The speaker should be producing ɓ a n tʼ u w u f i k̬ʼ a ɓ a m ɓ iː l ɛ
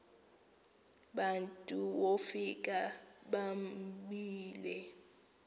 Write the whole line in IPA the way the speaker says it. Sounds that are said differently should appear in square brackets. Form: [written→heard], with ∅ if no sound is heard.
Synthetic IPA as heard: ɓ a n tʼ u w [u→o] f i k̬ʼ a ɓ a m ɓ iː l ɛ